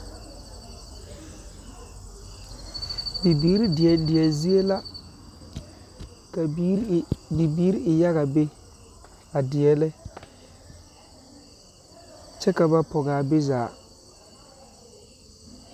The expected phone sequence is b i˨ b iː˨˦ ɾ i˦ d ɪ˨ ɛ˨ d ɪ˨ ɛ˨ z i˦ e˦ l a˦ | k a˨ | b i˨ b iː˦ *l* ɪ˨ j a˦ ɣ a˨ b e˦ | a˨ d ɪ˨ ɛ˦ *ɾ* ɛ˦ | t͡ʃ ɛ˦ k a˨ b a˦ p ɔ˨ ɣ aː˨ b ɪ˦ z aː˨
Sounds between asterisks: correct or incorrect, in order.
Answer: incorrect, incorrect

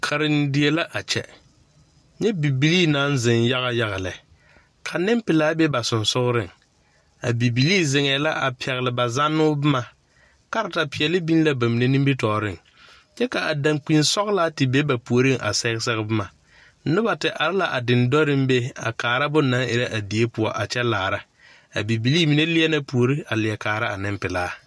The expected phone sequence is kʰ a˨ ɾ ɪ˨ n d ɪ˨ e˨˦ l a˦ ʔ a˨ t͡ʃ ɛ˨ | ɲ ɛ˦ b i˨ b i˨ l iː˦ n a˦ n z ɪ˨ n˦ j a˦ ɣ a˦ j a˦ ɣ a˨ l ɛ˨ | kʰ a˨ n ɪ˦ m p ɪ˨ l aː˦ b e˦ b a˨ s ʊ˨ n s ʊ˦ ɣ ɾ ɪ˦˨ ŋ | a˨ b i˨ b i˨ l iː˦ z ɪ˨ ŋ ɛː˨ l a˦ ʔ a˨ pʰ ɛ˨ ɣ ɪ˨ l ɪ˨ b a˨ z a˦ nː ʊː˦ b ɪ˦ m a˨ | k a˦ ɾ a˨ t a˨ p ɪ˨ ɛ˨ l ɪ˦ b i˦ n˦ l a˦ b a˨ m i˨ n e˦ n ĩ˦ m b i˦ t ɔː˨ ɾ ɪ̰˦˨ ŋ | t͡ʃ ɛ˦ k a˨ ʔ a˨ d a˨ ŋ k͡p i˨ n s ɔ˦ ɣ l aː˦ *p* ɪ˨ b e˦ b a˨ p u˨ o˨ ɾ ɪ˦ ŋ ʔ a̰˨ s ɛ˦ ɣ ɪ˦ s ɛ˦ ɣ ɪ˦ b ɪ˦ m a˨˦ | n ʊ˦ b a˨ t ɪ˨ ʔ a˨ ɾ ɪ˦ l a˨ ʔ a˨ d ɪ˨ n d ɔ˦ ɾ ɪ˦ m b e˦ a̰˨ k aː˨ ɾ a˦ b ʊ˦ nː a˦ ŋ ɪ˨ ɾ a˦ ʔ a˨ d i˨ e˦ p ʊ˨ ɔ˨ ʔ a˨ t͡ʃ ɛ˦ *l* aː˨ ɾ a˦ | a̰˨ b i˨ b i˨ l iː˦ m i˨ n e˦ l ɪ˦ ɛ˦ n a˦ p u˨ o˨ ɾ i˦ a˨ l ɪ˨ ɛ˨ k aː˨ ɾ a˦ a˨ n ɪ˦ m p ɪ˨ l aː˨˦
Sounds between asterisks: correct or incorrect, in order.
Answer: incorrect, correct

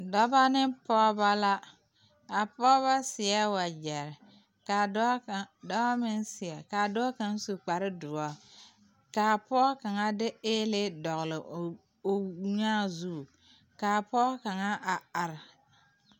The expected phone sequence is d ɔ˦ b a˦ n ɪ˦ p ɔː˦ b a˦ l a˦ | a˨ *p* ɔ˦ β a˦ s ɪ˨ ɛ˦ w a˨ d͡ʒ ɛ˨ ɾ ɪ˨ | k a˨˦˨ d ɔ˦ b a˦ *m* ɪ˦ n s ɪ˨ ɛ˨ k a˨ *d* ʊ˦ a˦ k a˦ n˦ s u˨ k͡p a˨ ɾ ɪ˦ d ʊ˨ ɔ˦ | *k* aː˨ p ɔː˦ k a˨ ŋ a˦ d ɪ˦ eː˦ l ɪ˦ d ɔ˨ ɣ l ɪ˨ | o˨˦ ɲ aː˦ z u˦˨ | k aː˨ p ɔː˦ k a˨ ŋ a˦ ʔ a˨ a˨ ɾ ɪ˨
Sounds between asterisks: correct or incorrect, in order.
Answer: correct, correct, correct, correct

